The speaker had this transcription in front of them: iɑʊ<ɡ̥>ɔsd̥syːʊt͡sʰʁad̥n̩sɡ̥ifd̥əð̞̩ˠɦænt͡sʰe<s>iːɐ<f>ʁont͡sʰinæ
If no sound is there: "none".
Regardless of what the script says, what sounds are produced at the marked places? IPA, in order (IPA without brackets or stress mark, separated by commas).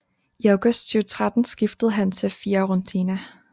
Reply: ɡ̥, f, none